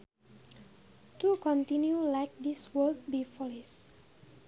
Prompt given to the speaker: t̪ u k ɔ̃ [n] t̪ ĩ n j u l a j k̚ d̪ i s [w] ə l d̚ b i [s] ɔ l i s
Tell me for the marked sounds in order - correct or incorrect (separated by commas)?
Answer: correct, correct, incorrect